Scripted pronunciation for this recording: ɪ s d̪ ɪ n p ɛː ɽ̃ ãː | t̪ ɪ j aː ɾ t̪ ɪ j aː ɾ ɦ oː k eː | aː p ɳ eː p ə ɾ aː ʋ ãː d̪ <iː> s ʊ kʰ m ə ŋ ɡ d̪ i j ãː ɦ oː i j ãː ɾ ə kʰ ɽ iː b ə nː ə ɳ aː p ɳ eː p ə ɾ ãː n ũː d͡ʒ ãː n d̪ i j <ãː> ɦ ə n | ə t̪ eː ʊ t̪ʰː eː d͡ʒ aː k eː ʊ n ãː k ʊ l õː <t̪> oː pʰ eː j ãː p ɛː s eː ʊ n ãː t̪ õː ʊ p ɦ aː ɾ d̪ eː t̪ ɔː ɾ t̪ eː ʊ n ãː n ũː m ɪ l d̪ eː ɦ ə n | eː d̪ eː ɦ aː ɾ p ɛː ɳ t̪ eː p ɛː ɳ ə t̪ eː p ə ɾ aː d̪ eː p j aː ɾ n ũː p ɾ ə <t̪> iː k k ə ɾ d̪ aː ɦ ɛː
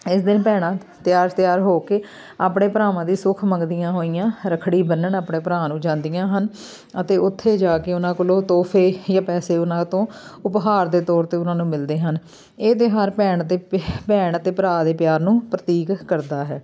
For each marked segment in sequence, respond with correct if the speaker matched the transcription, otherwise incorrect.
correct, correct, correct, correct

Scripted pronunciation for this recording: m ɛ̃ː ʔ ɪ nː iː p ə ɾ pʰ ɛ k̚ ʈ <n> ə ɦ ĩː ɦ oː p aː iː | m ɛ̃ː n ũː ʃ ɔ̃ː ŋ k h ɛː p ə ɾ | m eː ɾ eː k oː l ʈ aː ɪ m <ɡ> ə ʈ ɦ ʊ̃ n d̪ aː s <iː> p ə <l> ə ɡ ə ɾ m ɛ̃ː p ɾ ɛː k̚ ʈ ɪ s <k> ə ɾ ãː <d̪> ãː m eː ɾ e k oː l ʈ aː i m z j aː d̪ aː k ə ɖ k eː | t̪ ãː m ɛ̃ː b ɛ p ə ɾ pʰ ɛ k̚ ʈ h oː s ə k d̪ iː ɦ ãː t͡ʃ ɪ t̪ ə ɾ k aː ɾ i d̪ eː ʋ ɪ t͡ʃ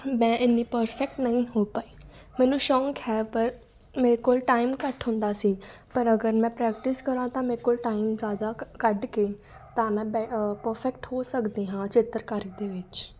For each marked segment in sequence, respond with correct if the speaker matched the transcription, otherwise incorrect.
correct, incorrect: k, correct, incorrect: ɾ, correct, incorrect: t̪

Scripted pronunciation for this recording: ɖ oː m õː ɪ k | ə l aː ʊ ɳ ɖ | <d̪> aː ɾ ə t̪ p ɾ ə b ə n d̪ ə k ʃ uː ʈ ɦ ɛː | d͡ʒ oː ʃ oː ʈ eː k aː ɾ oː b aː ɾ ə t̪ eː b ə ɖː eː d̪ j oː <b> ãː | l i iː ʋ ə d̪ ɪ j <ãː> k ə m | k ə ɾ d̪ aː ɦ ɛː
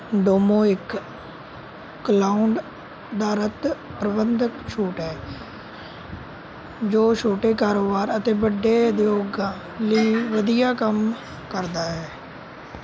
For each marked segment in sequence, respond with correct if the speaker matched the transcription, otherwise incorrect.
correct, incorrect: ɡ, incorrect: aː

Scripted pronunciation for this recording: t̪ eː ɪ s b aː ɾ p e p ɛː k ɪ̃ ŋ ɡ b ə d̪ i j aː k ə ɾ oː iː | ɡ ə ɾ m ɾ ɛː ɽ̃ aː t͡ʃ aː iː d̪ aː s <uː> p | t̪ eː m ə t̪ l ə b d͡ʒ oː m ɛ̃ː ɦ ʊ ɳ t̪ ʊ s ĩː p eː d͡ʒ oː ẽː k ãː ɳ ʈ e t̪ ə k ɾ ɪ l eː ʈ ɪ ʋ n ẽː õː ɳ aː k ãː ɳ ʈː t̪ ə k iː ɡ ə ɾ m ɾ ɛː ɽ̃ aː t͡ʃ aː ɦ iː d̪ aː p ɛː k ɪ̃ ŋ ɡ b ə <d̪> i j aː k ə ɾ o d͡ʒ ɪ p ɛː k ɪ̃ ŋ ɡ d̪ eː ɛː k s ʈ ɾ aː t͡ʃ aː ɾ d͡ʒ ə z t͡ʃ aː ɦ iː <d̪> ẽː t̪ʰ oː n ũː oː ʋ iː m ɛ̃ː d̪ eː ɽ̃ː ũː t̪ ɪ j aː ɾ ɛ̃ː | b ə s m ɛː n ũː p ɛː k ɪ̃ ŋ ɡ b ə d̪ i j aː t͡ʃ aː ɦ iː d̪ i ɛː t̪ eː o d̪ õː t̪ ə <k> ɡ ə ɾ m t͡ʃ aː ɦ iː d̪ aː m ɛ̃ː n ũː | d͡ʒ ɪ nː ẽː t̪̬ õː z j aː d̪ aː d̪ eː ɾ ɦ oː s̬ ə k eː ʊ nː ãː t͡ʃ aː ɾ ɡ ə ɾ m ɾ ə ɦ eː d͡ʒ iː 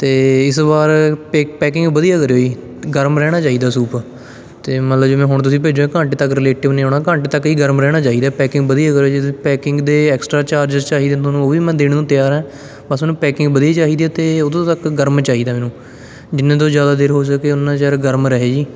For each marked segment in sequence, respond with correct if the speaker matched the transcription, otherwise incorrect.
correct, correct, correct, correct

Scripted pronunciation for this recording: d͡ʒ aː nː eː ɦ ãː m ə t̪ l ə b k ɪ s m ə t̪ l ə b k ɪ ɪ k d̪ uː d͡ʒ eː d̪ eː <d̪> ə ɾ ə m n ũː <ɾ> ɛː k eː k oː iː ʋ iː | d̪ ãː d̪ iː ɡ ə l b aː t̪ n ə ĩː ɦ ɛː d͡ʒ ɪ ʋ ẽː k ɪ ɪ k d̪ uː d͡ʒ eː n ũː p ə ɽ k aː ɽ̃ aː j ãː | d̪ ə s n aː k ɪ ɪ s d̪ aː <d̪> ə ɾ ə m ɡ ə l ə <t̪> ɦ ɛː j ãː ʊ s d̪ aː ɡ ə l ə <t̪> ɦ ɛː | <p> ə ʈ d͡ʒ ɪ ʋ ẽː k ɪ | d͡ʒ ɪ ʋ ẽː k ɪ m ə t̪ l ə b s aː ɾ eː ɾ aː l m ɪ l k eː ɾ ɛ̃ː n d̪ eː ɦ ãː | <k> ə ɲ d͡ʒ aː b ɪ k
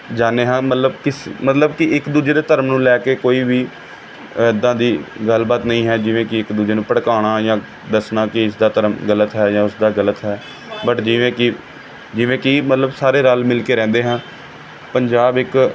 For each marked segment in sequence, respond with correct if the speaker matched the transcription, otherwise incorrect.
incorrect: t̪, incorrect: l, incorrect: t̪, correct, correct, incorrect: b, incorrect: p

